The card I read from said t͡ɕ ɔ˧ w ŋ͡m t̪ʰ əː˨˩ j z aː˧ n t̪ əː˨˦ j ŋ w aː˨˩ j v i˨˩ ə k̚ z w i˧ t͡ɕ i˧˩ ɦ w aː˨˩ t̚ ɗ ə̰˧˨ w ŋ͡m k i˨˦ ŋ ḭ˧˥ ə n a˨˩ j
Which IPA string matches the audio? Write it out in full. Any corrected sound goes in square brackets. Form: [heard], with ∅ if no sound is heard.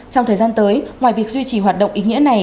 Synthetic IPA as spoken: t͡ɕ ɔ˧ w ŋ͡m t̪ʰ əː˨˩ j z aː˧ n t̪ əː˨˦ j ŋ w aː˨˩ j v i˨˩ ə k̚ z w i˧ t͡ɕ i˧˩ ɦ w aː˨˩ t̚ ɗ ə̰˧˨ w ŋ͡m [ʔ] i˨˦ ŋ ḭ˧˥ ə n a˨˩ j